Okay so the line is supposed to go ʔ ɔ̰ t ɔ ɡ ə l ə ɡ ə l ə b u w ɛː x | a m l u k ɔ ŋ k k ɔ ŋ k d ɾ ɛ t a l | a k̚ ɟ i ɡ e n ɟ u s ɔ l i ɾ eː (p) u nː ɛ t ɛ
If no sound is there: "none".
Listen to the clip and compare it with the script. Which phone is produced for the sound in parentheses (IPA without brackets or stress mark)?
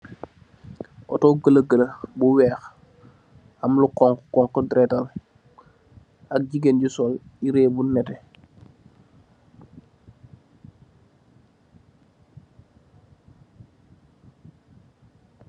b